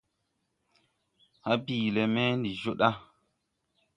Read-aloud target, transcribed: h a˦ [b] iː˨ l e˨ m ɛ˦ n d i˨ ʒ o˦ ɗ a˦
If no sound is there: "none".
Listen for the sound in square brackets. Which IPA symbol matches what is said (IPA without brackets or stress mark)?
b